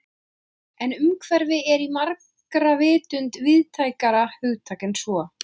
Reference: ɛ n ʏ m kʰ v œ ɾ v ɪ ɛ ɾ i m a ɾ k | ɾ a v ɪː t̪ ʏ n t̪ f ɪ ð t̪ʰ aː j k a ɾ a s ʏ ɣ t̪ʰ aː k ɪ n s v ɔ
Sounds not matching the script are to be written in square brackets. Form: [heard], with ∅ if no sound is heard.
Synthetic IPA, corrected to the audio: ɛ n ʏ m kʰ v [ɛ] ɾ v ɪ ɛ ɾ i m a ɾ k | ɾ a v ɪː t̪ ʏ n t̪ [v] ɪ ð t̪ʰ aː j k a ɾ a [h] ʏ ɣ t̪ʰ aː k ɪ n s v ɔ